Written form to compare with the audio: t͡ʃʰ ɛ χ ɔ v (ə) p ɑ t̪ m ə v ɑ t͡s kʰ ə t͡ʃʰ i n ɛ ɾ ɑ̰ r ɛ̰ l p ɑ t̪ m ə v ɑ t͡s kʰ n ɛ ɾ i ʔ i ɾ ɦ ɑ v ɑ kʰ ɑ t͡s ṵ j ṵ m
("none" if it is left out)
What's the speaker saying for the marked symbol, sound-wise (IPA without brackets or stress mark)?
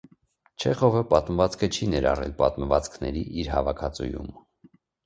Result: ə